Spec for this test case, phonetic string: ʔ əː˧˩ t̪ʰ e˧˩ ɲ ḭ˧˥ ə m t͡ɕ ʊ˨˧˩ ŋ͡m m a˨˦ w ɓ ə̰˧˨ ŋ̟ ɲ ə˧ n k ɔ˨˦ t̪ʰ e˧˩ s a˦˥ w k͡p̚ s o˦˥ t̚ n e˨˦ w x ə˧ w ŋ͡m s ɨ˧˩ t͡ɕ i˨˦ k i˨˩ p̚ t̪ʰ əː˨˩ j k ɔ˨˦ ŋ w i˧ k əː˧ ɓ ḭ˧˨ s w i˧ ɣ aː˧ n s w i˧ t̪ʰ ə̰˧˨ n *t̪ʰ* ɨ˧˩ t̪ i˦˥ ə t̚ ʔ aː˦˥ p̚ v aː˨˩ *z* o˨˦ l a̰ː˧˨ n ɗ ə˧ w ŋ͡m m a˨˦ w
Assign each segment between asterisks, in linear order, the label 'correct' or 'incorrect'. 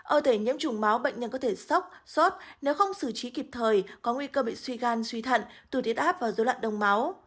incorrect: t̪, correct

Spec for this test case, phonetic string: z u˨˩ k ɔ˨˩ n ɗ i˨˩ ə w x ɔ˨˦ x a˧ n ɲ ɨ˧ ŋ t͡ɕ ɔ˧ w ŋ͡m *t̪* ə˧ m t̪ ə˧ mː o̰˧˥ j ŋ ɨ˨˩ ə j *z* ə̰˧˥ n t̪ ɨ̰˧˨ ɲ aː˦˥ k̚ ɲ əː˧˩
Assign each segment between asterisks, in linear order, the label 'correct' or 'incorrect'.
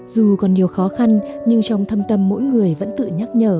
incorrect: t̪ʰ, incorrect: v

